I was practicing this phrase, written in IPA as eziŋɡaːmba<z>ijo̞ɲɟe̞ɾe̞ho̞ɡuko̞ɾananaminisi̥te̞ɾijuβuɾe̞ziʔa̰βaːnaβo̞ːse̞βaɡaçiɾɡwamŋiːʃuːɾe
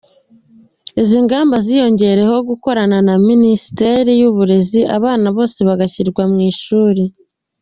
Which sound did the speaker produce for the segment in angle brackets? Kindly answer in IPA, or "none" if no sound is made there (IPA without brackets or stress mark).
z